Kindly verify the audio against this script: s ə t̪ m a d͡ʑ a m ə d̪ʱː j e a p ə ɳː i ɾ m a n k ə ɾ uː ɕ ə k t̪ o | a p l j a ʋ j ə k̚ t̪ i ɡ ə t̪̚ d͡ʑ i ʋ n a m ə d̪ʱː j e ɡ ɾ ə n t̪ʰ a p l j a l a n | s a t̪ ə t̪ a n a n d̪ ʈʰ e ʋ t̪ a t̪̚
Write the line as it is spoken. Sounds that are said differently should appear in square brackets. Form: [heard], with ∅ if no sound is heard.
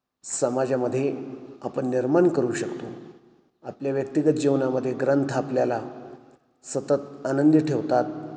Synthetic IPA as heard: s ə [∅] m a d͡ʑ a m ə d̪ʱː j e a p ə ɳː i ɾ m a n k ə ɾ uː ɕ ə k t̪ o | a p l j a ʋ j ə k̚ t̪ i ɡ ə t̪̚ d͡ʑ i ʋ n a m ə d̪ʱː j e ɡ ɾ ə n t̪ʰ a p l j a l a [∅] | s [ə] t̪ ə t̪ a n [ə] n d̪ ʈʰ e ʋ t̪ a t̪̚